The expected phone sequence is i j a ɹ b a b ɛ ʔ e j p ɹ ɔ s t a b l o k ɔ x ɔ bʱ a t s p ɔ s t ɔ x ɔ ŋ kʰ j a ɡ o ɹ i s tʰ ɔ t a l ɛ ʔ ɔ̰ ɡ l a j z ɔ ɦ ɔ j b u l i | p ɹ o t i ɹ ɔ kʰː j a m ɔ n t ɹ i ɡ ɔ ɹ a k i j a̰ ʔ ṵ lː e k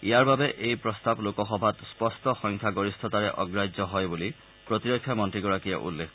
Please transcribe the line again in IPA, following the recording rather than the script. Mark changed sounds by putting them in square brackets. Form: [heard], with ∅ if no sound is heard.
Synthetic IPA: i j a ɹ b a b ɛ ʔ e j p ɹ ɔ s t a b l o k ɔ x ɔ bʱ a t s p ɔ s t ɔ x ɔ ŋ kʰ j a ɡ o ɹ i s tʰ ɔ t a [ɹ] ɛ ʔ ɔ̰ ɡ [ɹ] a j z ɔ ɦ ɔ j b u l i | p ɹ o t i ɹ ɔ kʰː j a m ɔ n t ɹ i ɡ ɔ ɹ a k i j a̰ ʔ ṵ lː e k